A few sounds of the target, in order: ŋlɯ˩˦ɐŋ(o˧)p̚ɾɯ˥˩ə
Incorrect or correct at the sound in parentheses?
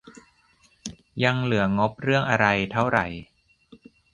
incorrect: o˦˥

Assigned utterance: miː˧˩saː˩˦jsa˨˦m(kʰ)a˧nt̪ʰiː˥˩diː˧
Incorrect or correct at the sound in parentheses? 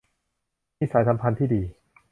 incorrect: pʰ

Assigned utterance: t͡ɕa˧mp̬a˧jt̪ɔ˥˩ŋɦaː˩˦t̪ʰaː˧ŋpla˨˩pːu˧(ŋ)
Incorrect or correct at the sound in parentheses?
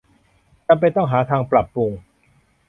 correct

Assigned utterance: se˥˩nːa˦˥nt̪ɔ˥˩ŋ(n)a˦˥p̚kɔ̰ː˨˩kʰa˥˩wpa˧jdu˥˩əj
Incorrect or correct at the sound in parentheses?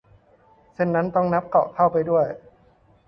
correct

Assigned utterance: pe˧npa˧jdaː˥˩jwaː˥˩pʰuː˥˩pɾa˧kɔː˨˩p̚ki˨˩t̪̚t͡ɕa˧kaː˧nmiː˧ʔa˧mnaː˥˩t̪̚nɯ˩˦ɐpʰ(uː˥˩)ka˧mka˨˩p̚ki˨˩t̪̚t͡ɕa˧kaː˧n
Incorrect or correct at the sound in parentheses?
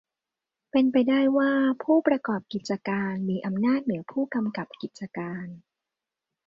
correct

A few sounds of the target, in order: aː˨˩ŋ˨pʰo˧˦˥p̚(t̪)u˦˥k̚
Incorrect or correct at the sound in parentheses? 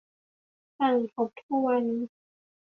incorrect: t̪ʰ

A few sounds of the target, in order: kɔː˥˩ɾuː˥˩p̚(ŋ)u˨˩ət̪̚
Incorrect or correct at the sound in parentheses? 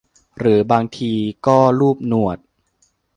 incorrect: n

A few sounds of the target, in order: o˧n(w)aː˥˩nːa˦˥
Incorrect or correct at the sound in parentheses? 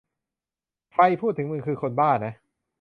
incorrect: b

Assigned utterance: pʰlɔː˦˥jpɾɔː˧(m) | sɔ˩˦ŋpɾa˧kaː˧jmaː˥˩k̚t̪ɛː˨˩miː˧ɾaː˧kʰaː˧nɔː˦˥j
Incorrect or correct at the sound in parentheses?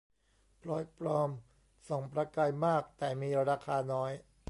correct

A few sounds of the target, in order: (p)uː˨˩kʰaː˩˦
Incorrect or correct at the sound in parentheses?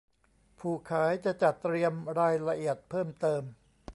incorrect: pʰ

